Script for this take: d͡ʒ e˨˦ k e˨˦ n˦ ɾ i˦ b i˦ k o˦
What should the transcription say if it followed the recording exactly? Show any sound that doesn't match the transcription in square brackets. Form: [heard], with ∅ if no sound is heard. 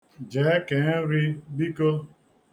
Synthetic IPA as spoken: d͡ʒ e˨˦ k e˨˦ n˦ ɾ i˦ b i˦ k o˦